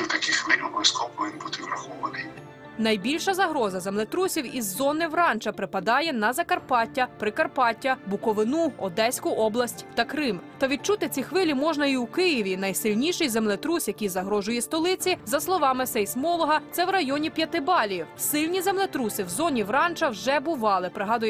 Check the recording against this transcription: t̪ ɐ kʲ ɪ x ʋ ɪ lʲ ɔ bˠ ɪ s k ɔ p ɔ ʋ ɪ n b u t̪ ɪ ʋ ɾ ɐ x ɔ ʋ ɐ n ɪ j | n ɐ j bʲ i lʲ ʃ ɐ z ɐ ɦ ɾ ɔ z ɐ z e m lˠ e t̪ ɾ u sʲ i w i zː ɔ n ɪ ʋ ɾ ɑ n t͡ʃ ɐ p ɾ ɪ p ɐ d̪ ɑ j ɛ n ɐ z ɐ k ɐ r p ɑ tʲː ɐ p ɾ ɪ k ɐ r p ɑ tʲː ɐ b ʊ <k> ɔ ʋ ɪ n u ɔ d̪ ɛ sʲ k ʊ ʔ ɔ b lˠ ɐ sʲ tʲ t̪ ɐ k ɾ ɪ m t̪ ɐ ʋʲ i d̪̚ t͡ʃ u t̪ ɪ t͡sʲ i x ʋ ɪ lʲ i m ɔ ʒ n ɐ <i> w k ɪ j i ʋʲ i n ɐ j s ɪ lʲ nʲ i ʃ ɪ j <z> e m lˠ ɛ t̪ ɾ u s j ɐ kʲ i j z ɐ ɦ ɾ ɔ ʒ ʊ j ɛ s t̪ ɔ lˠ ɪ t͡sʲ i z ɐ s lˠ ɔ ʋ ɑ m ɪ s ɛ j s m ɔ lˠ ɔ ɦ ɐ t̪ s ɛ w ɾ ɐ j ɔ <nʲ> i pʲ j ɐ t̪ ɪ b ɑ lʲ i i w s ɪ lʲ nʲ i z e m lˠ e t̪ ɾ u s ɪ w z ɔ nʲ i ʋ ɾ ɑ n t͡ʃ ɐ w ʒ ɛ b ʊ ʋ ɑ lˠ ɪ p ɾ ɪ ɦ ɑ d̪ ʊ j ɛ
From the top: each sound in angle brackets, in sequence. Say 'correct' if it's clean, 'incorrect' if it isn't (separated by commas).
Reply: correct, correct, correct, correct